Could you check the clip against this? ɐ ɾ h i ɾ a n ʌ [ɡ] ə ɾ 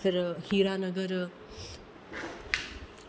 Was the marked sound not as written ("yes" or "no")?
no